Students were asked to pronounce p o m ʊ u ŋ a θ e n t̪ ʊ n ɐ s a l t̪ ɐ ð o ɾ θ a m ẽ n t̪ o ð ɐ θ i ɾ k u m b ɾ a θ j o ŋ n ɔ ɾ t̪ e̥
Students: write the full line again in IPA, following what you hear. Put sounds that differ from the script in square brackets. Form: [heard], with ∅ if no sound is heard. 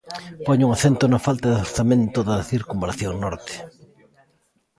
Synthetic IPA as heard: p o [ɲ] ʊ u ŋ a θ e n t̪ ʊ n ɐ [f] a l t̪ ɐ ð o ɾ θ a m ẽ n t̪ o ð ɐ θ i ɾ k u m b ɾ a θ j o ŋ n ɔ ɾ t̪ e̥